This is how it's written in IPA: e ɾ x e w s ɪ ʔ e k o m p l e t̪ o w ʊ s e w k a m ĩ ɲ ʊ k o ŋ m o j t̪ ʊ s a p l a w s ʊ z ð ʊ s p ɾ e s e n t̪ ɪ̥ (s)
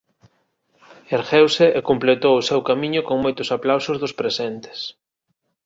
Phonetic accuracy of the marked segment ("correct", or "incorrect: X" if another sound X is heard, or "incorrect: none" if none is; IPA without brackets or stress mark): correct